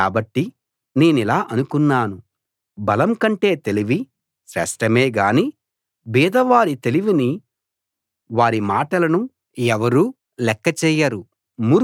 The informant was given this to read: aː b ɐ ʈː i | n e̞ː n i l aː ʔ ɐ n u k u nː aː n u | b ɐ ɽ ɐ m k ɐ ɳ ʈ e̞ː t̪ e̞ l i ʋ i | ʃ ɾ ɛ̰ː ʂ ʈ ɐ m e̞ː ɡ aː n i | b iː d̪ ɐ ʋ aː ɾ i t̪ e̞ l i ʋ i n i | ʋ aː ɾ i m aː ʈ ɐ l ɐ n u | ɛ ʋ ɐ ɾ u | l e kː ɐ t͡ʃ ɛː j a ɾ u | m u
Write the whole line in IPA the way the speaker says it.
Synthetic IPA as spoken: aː b ɐ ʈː i | n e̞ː n i l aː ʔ ɐ n u k u nː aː n u | b ɐ l ɐ m k ɐ ɳ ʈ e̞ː t̪ e̞ l i ʋ i | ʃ ɾ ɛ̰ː ʂ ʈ ɐ m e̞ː ɡ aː n i | b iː d̪ ɐ ʋ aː ɾ i t̪ e̞ l i ʋ i n i | ʋ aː ɾ i m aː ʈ ɐ l ɐ n u | ɛ ʋ ɐ ɾ uː | l ɛ kː ɐ t͡ʃ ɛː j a ɾ u | m u